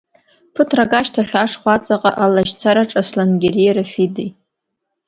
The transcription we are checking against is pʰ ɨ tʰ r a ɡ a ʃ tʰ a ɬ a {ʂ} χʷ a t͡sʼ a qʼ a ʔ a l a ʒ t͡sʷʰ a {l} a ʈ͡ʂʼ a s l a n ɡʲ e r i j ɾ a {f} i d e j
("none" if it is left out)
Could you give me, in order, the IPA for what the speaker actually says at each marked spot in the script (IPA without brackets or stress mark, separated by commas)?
ʂ, ɾ, f